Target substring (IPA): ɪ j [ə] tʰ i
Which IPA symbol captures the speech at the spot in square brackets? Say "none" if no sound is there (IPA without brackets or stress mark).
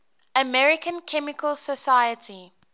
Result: ə